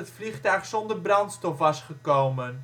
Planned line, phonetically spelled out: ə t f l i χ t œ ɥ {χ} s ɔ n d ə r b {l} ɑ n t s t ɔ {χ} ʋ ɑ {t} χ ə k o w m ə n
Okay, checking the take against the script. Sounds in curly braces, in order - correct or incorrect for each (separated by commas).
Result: correct, incorrect, incorrect, incorrect